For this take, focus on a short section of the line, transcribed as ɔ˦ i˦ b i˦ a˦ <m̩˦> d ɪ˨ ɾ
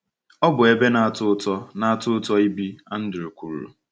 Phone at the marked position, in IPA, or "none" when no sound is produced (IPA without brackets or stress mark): n̩˦